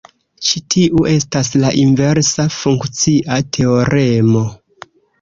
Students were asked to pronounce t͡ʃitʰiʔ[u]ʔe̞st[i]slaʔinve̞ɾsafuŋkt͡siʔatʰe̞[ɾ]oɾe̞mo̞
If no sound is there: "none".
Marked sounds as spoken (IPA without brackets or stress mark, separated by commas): u, a, none